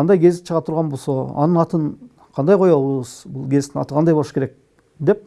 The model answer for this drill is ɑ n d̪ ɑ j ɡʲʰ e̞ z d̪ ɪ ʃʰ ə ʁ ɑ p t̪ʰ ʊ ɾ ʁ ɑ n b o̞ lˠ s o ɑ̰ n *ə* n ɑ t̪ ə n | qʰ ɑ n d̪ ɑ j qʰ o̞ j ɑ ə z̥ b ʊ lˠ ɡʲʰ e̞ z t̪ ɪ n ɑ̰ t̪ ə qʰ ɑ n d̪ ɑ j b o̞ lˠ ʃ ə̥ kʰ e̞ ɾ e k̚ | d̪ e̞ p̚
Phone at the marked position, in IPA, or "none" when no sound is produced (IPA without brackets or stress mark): ə